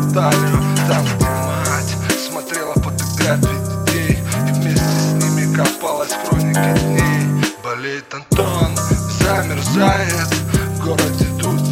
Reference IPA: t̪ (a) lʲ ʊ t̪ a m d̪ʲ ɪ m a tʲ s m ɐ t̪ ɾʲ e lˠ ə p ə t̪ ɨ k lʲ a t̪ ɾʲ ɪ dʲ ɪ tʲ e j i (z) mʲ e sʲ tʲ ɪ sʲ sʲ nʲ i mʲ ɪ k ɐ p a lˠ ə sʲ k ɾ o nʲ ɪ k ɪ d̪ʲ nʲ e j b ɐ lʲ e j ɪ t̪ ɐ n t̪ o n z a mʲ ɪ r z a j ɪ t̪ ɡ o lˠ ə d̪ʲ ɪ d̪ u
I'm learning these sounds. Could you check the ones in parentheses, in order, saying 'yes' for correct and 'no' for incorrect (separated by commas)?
yes, no